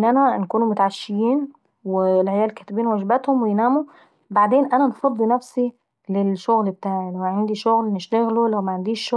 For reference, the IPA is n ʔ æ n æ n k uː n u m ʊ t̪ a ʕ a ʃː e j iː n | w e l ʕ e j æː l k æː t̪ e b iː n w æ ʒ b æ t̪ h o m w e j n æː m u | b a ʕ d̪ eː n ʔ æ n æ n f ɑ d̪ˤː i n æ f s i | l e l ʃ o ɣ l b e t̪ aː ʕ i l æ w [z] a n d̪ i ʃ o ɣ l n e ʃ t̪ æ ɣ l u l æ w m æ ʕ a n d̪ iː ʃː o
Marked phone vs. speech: incorrect: ʕ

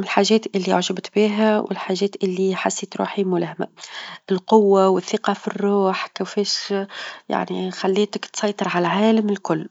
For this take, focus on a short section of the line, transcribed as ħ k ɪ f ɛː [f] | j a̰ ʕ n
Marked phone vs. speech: incorrect: ʃ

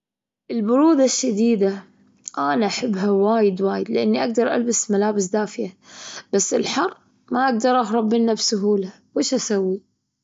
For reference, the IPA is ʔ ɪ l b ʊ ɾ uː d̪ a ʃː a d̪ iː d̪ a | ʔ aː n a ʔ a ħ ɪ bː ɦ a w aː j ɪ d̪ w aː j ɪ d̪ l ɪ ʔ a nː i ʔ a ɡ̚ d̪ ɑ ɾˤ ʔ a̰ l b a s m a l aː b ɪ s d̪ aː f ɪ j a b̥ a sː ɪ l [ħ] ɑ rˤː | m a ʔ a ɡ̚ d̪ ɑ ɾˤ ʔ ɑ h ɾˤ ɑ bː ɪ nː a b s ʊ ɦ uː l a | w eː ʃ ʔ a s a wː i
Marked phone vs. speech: correct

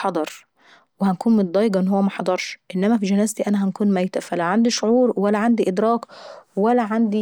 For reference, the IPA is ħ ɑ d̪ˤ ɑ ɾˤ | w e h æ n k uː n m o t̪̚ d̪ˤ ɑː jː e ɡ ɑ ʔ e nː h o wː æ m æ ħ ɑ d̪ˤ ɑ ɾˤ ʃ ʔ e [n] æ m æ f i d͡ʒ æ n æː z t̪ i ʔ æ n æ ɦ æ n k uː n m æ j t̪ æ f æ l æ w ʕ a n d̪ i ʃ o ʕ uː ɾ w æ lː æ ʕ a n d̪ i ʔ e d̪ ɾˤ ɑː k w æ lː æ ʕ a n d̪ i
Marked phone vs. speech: incorrect: nː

